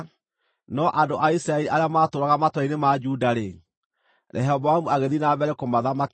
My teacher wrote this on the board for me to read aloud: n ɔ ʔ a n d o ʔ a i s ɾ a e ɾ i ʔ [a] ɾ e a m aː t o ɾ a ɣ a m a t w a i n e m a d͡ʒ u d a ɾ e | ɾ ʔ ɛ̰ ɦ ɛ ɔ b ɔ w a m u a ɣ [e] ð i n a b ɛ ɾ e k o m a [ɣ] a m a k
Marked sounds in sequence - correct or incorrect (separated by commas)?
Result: correct, correct, incorrect